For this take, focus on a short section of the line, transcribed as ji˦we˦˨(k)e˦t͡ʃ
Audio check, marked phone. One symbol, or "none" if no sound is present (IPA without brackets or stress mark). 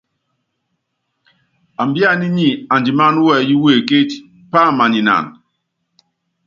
k